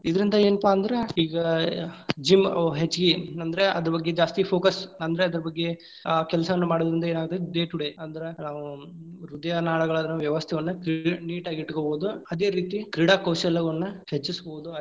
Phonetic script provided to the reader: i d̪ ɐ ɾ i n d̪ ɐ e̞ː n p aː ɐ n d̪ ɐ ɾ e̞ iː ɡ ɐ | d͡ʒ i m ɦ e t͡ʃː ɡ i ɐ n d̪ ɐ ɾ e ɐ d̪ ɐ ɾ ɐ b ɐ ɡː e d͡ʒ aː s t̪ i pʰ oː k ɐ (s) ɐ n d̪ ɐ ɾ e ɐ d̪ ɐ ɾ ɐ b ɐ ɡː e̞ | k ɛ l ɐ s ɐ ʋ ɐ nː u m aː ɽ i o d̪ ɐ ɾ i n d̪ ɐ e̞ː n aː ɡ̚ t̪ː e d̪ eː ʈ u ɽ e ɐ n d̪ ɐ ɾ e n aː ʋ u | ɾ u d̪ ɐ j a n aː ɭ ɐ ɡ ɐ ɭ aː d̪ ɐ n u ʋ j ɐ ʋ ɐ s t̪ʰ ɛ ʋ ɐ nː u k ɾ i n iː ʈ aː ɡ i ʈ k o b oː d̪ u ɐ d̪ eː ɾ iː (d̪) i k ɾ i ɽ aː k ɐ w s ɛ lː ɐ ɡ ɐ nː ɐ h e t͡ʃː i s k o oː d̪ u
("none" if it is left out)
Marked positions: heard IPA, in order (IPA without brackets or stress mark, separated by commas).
s, t̪